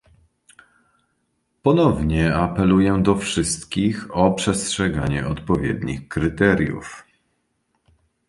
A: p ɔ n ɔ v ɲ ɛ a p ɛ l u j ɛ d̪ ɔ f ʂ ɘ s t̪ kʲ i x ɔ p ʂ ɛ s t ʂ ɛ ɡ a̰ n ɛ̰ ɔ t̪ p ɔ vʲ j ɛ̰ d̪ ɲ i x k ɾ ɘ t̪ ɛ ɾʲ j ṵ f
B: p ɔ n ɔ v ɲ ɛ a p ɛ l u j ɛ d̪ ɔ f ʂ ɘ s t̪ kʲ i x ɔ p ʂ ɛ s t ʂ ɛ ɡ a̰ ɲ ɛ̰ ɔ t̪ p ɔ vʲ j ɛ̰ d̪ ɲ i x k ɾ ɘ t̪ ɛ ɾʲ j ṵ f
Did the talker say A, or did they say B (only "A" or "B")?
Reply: B